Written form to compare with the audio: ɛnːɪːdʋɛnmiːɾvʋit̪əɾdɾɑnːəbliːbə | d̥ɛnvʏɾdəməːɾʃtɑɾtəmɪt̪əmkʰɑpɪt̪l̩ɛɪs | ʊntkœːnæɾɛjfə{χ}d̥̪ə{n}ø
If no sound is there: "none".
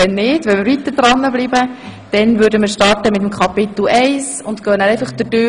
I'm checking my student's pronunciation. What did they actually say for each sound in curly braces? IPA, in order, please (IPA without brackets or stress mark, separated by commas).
χ, d